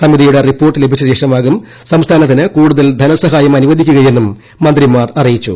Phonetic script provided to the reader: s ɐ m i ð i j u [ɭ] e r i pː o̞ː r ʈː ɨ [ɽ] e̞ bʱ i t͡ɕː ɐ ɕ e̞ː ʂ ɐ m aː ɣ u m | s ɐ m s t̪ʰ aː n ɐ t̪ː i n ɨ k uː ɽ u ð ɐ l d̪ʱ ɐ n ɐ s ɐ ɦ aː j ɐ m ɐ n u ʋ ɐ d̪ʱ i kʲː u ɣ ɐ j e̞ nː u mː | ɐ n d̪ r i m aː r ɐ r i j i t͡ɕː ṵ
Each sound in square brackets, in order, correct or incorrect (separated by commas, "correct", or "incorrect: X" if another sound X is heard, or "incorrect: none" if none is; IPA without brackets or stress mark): incorrect: ɽ, incorrect: l